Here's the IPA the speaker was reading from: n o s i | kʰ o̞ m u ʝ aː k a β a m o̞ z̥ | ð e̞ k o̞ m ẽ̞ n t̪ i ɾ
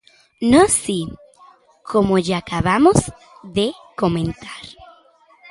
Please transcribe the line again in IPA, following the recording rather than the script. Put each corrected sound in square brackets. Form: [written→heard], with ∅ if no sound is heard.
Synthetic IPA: n o s i | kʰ o̞ m [u→o] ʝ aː k a β a m o̞ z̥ | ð e̞ k o̞ m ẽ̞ n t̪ [i→a] ɾ